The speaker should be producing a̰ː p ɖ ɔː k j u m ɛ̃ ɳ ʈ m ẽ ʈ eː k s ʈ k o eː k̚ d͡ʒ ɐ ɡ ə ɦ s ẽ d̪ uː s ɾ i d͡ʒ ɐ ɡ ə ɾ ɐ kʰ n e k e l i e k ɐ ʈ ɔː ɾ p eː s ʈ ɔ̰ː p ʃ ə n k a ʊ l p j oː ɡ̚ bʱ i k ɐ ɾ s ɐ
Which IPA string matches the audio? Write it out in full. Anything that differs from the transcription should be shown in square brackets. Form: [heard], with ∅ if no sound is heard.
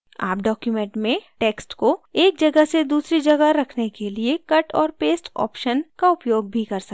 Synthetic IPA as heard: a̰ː p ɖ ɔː k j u m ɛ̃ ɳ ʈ m ẽ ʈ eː k s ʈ k o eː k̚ d͡ʒ ɐ ɡ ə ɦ s [e] d̪ uː s ɾ i d͡ʒ ɐ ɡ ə ɾ ɐ kʰ n e k e l i e k ɐ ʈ ɔː ɾ p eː s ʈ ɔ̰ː p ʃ ə n k a ʊ [∅] p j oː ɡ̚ bʱ i k ɐ ɾ s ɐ